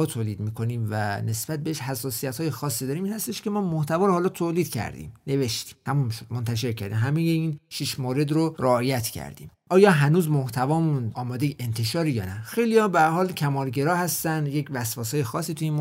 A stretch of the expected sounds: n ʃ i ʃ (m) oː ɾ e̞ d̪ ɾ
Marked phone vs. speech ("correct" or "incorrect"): correct